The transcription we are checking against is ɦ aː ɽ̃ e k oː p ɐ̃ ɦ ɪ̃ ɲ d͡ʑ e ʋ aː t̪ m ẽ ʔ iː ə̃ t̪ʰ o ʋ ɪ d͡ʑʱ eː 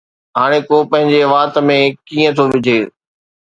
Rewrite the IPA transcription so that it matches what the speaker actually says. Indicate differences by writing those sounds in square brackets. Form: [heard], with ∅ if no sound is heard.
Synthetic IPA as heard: ɦ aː ɽ̃ e k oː p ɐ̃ ɦ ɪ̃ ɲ d͡ʑ e ʋ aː t̪ m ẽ [k] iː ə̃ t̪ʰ o ʋ ɪ d͡ʑʱ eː